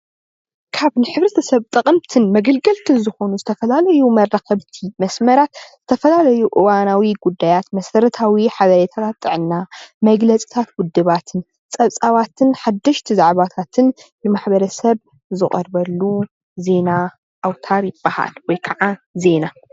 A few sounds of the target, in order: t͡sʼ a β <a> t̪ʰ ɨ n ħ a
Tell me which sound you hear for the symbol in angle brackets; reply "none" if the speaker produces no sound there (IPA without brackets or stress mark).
a